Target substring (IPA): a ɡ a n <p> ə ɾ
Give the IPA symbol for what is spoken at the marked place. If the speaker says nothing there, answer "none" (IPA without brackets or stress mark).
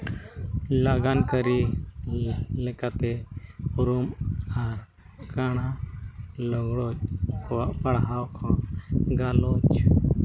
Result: k